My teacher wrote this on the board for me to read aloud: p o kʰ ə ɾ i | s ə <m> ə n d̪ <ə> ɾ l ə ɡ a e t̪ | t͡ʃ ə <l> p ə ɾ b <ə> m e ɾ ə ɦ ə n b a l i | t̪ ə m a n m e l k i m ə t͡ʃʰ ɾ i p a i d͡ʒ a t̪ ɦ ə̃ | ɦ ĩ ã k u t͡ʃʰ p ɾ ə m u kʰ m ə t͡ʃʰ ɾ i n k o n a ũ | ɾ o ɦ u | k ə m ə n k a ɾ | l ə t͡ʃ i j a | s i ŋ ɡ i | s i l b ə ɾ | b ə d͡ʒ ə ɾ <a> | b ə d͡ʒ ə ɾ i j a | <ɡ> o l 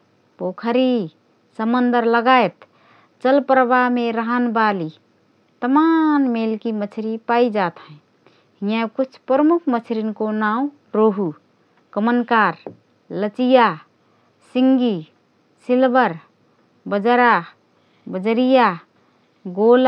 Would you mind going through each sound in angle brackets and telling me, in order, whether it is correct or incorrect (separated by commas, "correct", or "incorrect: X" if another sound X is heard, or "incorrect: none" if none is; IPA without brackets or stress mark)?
correct, correct, correct, incorrect: a, correct, correct